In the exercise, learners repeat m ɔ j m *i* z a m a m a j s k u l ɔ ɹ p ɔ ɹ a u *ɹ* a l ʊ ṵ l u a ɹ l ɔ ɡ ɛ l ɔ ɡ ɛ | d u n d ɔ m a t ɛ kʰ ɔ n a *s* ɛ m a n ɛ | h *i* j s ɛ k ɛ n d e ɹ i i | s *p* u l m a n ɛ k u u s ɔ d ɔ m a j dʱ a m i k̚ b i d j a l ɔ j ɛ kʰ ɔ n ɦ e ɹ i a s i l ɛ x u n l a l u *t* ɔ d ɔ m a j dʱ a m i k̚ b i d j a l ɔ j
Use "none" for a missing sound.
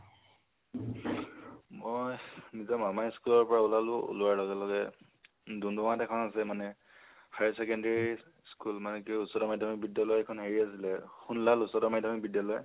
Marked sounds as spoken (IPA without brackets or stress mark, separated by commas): i, l, s, a, k, s